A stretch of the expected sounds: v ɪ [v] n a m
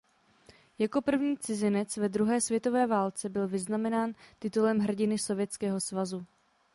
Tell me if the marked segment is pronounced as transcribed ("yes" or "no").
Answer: no